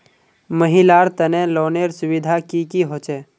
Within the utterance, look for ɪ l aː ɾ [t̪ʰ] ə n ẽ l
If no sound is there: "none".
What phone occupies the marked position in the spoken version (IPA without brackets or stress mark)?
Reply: t̪